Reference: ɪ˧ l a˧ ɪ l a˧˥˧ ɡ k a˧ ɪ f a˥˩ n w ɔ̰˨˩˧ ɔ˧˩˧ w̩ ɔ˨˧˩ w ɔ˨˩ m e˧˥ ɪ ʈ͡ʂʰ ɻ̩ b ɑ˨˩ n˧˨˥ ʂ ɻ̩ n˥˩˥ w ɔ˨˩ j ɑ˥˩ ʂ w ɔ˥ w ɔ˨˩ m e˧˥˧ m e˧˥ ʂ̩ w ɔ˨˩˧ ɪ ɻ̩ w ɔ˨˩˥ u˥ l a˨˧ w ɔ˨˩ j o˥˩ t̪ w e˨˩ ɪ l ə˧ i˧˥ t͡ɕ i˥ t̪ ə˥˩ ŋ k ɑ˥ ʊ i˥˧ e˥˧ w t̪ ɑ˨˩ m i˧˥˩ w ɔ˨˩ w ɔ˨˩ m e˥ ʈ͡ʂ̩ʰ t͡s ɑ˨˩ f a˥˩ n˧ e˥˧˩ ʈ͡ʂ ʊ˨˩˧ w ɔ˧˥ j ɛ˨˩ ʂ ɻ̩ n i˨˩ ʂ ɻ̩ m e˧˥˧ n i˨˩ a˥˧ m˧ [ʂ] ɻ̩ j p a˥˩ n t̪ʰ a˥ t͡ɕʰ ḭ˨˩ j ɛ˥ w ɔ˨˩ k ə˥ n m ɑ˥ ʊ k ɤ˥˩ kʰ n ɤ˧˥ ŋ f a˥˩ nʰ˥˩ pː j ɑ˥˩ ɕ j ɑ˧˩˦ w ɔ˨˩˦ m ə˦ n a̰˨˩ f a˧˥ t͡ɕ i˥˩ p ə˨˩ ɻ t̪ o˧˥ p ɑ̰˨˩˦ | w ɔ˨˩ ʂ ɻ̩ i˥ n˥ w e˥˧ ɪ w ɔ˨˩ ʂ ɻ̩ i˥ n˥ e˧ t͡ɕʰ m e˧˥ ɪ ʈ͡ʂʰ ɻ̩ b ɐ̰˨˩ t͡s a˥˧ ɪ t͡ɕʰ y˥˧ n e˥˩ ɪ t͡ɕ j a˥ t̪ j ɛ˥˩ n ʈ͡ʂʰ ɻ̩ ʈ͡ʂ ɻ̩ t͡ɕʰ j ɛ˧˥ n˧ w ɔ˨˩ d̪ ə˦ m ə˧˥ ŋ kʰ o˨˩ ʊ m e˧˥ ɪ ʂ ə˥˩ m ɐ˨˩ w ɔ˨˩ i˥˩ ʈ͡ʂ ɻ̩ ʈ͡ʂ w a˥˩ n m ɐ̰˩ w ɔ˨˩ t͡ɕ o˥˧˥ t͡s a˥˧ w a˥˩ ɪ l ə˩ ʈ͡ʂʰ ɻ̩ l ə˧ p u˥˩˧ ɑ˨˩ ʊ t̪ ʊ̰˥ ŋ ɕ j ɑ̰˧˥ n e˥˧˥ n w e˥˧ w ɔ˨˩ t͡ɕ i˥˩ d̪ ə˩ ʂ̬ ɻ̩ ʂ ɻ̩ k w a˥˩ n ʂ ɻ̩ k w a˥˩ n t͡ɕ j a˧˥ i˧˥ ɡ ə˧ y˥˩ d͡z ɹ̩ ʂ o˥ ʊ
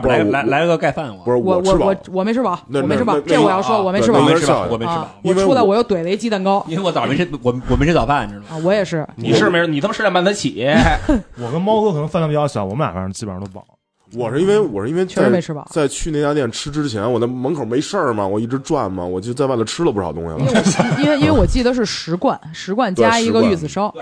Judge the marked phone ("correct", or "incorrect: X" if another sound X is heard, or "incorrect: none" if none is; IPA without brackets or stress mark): correct